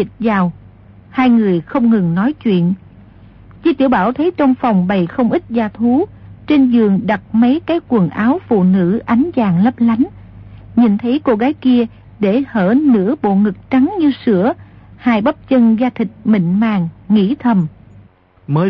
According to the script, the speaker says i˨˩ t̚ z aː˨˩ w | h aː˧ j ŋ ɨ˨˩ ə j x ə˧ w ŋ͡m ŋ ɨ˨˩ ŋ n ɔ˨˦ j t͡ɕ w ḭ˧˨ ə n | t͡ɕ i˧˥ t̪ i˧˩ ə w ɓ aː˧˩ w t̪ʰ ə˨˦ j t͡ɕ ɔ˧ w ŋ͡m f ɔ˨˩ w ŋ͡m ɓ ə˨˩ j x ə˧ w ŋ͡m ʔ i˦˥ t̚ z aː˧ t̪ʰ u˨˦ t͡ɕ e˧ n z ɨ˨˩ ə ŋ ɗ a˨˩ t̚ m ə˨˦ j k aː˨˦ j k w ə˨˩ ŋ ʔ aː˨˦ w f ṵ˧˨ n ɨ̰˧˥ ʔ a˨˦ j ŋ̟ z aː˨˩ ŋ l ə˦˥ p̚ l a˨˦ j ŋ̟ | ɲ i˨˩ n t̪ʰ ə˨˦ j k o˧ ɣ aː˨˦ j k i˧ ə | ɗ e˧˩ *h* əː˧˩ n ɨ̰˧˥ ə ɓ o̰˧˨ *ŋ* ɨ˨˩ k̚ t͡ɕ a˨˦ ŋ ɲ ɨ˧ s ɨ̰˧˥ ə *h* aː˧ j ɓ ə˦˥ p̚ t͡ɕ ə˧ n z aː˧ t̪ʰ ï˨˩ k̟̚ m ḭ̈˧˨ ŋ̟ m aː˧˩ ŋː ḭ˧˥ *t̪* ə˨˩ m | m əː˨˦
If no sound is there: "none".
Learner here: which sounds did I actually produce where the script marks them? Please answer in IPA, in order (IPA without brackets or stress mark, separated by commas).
h, ŋ, h, t̪ʰ